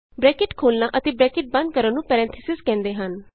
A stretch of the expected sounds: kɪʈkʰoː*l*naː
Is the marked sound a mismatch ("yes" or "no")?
no